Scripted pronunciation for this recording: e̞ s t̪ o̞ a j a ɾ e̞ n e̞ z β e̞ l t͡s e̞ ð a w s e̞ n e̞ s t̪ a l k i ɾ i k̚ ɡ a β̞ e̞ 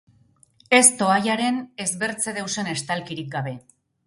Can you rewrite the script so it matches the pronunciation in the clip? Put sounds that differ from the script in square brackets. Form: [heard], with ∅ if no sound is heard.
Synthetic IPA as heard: e̞ s t̪ o̞ a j a ɾ e̞ n e̞ z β e̞ [ɾ] t͡s e̞ ð [e] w s e̞ n e̞ s t̪ a l k i ɾ i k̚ ɡ a β̞ e̞

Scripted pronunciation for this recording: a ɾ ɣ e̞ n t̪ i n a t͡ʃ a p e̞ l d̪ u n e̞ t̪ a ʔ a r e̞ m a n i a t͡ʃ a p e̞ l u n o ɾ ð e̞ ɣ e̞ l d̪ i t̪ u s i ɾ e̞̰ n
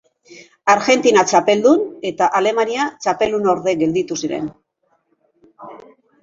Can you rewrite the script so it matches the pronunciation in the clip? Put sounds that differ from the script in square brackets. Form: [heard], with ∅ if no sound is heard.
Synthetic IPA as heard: a ɾ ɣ e̞ n t̪ i n a t͡ʃ a p e̞ l d̪ u n e̞ t̪ a ʔ a [l] e̞ m a n i a t͡ʃ a p e̞ l u n o ɾ ð e̞ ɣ e̞ l d̪ i t̪ u s i ɾ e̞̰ n

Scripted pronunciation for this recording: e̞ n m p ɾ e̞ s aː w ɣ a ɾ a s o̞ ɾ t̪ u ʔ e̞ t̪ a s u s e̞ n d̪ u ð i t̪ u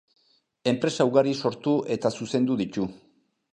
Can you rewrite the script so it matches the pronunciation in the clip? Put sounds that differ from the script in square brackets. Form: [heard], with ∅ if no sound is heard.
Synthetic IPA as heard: e̞ [∅] m p ɾ e̞ s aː w ɣ a ɾ [i] s o̞ ɾ t̪ u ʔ e̞ t̪ a s u s e̞ n d̪ u ð i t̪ u

